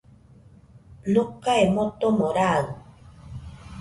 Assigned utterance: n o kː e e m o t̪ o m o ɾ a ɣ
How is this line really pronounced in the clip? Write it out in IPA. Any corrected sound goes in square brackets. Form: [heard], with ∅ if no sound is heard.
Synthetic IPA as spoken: n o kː [a] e m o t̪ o m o ɾ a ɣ